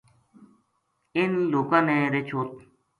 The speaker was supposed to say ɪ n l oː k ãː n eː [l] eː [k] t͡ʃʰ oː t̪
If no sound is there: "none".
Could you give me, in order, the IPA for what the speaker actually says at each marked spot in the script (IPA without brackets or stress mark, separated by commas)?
ɾ, none